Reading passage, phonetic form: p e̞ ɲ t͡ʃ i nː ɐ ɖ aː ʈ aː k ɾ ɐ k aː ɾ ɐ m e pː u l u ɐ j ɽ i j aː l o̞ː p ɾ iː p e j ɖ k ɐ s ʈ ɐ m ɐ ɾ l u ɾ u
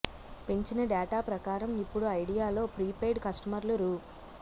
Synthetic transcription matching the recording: p e̞ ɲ t͡ʃ i n ɐ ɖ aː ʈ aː p ɾ ɐ k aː ɾ ɐ m i pː u ɽ u ɐ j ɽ i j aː l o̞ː p ɾ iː p e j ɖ k ɐ s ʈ ɐ m ɐ ɾ l u ɾ u